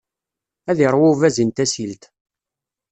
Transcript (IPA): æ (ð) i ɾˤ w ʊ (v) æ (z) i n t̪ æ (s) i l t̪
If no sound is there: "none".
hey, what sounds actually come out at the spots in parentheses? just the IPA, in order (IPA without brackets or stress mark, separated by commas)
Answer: ð, v, z, s